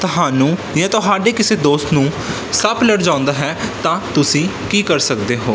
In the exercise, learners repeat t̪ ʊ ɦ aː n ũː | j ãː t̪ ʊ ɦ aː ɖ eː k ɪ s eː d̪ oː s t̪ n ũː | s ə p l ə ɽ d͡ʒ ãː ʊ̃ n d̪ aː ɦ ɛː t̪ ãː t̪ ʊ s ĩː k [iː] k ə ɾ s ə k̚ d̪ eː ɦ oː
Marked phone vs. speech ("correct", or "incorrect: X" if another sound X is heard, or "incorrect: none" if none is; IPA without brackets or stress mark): correct